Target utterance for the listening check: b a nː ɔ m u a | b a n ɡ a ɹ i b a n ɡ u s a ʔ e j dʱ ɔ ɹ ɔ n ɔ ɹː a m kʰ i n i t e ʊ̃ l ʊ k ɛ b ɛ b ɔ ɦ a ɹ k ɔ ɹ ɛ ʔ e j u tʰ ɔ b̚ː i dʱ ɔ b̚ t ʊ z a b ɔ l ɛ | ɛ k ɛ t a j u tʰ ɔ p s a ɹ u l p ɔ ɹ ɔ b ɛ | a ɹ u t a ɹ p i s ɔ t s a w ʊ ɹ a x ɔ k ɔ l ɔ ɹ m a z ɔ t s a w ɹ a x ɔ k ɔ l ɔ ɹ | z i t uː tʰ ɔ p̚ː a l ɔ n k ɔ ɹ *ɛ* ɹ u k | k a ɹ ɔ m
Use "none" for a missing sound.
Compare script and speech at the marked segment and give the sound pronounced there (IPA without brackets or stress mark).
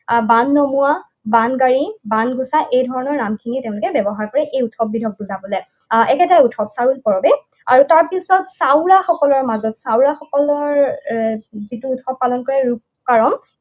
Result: ɛ